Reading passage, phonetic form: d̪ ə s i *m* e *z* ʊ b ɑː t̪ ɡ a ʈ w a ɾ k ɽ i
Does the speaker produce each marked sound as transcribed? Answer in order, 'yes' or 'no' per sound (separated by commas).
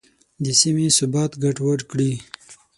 yes, no